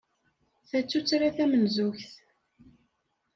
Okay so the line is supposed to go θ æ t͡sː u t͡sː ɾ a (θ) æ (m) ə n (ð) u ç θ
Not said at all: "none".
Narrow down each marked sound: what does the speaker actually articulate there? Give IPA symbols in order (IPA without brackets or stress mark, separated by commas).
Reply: θ, m, z